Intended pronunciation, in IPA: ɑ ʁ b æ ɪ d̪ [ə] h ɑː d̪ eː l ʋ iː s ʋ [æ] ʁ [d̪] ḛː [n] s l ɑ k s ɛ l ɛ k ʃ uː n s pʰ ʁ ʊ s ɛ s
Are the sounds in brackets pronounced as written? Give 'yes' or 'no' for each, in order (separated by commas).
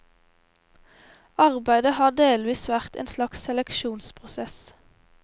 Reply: yes, yes, no, yes